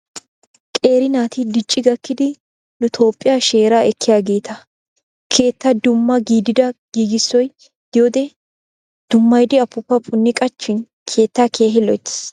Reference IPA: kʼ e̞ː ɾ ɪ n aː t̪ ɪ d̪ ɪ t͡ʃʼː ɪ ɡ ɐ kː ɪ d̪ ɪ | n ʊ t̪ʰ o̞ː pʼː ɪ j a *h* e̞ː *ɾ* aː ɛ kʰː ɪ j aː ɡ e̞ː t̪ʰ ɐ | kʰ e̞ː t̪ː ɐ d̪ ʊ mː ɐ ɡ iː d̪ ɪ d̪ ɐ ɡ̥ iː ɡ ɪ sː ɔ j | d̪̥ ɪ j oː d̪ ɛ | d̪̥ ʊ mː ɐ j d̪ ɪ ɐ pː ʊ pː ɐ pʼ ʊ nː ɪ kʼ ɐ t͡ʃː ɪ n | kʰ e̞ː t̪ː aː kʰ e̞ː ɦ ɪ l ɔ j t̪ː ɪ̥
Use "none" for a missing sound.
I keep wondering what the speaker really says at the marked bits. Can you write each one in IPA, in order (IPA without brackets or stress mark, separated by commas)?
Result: ʃ, ɾ